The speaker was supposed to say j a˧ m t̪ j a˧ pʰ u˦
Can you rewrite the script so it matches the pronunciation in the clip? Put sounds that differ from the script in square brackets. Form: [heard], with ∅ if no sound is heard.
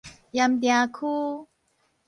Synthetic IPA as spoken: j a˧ m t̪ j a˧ [kʰ] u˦